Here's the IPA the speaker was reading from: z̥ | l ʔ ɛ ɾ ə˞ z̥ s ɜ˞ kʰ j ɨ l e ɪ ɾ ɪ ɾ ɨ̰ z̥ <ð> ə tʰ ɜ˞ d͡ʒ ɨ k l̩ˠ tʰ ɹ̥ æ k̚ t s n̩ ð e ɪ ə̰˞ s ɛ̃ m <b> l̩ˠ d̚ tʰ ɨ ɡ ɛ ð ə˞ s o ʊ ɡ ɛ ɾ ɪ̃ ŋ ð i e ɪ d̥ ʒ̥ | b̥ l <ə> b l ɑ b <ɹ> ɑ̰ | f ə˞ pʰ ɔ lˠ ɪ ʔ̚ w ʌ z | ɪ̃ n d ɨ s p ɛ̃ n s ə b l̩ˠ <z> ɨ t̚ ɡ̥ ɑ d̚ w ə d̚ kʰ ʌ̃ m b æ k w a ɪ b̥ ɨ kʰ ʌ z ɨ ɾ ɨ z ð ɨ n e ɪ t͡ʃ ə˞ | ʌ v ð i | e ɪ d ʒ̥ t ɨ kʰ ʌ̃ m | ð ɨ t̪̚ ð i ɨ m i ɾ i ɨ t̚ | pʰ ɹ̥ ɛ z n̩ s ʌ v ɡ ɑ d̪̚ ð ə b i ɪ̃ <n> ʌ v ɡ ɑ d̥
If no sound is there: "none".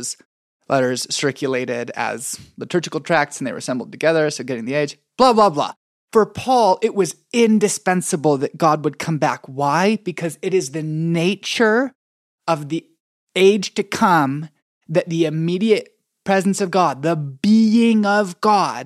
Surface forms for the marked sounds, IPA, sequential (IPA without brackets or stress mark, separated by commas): ð, b, ɑ, l, ð, ŋ